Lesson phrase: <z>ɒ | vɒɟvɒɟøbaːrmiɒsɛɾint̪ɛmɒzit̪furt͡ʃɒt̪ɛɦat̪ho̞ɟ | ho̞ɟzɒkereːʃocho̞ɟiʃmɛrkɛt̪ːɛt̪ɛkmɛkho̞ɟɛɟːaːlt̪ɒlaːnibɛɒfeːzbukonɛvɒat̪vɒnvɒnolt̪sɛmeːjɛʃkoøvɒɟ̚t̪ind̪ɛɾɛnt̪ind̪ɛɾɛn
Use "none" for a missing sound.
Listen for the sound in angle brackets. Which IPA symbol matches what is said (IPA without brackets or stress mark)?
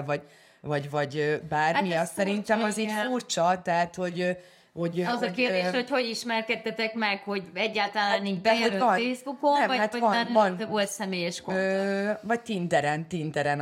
v